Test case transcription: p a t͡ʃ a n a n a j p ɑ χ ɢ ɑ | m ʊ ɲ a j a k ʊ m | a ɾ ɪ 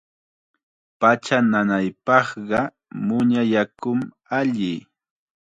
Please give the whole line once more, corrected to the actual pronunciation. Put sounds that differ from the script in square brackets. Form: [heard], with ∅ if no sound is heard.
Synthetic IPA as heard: p a t͡ʃ a n a n a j p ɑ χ ɢ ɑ | m ʊ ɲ a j a k ʊ m | a [ʎ] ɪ